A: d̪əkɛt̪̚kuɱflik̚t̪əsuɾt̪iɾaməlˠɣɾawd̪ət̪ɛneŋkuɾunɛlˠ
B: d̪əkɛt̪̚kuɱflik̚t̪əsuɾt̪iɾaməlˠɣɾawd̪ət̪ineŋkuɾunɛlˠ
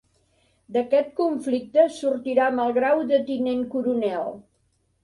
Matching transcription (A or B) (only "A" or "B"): B